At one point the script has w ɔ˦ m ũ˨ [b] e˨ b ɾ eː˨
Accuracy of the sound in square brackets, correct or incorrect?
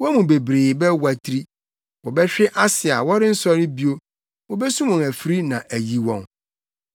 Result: correct